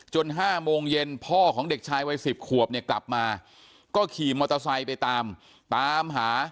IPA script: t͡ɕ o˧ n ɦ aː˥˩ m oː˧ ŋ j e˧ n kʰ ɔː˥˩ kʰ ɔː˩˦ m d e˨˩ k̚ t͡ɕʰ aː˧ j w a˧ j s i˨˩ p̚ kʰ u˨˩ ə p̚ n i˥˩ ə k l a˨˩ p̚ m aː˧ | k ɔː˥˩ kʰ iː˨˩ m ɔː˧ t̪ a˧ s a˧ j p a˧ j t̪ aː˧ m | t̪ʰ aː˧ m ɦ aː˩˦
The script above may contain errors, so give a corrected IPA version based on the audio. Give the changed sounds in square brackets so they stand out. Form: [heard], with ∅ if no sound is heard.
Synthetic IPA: t͡ɕ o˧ n ɦ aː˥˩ m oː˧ ŋ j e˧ n [pʰ] ɔː˥˩ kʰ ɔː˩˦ [ŋ] d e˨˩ k̚ t͡ɕʰ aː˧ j w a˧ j s i˨˩ p̚ kʰ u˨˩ ə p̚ n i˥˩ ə k l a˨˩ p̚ m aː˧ | k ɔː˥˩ kʰ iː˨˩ m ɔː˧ t̪ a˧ s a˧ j p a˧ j t̪ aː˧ m | [t̪] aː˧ m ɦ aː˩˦